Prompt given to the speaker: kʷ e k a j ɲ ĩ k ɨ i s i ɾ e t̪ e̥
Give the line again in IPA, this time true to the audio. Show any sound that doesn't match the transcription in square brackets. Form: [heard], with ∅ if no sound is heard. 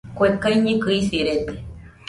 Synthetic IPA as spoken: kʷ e k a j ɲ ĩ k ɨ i s i ɾ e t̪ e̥